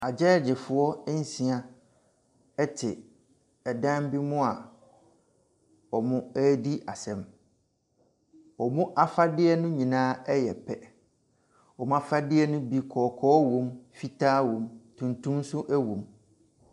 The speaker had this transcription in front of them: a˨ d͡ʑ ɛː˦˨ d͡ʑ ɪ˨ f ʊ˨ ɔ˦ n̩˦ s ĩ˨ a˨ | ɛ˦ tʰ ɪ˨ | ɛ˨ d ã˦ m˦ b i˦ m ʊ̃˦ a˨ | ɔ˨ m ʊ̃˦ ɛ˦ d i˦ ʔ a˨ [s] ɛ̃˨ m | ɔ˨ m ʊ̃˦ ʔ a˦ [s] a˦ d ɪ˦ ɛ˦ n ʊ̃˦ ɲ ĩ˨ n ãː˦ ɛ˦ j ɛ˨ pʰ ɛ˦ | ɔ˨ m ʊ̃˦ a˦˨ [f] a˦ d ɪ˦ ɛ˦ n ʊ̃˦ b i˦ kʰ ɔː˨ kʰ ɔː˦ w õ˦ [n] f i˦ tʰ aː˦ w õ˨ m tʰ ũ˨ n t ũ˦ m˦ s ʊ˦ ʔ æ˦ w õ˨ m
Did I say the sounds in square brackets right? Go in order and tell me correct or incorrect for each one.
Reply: correct, incorrect: f, correct, incorrect: m

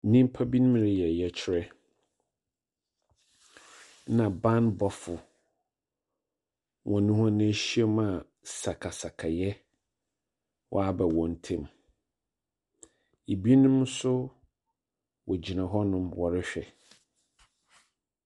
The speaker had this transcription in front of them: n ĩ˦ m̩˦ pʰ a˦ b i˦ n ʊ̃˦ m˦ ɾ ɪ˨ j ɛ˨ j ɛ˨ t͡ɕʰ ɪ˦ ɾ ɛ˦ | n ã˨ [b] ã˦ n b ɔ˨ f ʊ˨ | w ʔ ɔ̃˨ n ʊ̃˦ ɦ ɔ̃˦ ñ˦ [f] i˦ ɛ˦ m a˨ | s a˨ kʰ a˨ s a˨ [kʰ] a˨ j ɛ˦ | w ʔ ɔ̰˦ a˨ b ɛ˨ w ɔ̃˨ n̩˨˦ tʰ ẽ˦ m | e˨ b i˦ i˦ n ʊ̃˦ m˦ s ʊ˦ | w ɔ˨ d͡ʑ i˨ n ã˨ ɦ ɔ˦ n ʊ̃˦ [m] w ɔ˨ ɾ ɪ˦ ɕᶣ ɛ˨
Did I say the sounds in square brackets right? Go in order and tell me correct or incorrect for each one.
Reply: correct, incorrect: ɕ, correct, correct

